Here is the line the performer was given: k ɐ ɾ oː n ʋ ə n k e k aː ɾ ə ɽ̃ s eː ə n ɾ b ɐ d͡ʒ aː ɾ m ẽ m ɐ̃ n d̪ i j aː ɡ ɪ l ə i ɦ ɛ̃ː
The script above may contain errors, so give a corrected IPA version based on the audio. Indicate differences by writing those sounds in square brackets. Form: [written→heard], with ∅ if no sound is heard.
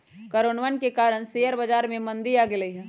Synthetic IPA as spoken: k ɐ ɾ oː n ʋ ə n k e k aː ɾ ə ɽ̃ s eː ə [n→∅] ɾ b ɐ d͡ʒ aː ɾ m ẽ m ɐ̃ n d̪ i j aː ɡ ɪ l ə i ɦ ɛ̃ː